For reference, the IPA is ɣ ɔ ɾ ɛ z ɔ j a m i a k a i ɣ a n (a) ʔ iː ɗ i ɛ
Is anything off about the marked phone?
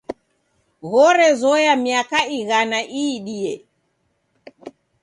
no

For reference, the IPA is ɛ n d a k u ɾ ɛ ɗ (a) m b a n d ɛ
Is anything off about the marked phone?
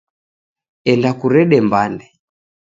yes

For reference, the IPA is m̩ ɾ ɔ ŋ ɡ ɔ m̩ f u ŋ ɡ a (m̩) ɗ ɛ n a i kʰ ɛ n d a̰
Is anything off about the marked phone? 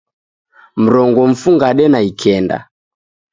yes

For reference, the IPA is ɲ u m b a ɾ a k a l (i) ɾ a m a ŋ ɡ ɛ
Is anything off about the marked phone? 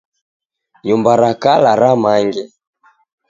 yes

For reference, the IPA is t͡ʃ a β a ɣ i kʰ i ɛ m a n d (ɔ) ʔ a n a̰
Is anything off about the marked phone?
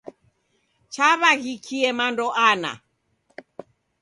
no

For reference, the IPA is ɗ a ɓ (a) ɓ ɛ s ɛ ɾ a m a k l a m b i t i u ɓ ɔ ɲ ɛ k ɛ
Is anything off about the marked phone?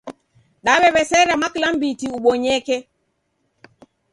yes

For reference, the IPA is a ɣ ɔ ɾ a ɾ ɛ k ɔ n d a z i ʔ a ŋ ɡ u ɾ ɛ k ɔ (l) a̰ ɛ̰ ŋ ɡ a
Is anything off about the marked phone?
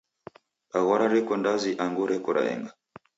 yes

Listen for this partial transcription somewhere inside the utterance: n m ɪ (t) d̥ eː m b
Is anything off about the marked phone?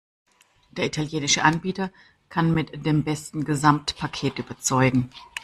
no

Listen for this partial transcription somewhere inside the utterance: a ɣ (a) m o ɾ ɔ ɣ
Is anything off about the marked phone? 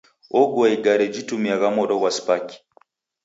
no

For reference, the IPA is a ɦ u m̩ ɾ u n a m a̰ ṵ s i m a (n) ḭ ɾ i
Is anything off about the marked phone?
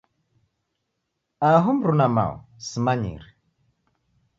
yes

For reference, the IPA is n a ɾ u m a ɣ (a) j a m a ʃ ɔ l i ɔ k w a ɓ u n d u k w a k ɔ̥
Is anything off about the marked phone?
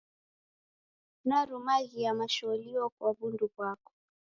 yes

